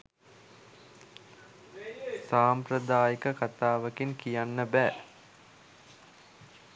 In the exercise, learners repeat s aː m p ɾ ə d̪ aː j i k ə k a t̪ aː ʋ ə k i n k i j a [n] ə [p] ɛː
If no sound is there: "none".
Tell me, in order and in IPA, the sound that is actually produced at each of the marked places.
nː, b

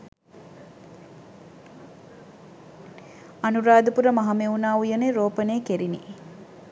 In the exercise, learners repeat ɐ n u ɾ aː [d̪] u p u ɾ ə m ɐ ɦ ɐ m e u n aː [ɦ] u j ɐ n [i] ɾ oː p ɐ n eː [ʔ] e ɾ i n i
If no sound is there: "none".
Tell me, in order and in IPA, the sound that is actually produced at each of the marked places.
d̪, none, e, k

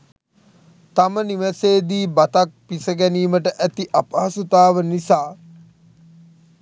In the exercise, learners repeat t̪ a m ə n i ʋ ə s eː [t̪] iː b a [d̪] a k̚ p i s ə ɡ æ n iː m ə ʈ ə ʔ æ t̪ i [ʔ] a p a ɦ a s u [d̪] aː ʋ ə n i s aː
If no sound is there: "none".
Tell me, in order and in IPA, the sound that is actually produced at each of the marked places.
d̪, t̪, ʔ, t̪

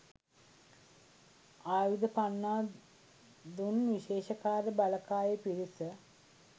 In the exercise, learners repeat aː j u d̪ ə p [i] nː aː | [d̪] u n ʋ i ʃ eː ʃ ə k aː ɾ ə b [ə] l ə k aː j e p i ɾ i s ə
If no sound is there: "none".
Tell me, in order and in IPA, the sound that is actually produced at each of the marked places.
a, d̪, a

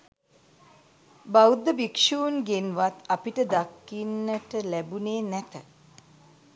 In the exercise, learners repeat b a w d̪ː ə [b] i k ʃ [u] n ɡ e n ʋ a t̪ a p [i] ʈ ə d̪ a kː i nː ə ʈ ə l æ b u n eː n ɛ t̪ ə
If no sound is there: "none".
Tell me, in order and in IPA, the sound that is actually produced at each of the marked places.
b, uː, i

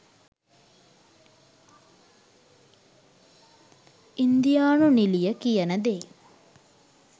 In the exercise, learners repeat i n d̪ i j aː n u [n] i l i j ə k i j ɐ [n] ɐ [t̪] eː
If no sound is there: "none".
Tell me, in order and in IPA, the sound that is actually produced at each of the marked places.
n, n, d̪

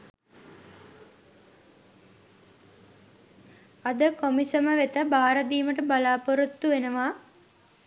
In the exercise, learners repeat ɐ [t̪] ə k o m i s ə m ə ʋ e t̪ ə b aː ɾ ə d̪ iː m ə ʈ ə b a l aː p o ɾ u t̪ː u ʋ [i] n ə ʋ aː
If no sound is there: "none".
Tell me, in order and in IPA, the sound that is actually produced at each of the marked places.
d̪, e

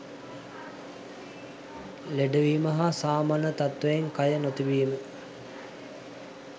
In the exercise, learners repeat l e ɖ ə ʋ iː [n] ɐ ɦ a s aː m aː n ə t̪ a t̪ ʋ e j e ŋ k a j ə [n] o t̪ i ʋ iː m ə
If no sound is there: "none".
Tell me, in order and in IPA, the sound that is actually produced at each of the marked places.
m, n

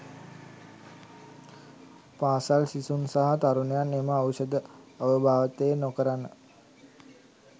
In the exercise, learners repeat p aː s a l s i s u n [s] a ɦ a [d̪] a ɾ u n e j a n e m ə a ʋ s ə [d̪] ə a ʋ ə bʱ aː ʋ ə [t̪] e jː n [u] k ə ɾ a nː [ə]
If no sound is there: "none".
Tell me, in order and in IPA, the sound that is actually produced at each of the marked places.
s, t̪, d̪, t̪, o, ə

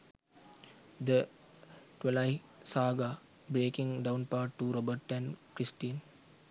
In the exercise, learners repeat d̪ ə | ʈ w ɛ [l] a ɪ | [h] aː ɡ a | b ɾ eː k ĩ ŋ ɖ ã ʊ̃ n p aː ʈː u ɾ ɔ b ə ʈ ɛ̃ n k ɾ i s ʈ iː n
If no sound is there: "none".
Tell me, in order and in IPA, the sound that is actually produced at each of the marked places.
l, s

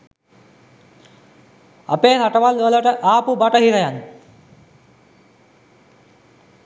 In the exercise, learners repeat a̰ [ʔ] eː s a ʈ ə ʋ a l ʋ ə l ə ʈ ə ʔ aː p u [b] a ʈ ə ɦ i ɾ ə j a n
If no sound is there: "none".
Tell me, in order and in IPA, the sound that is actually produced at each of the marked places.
p, b

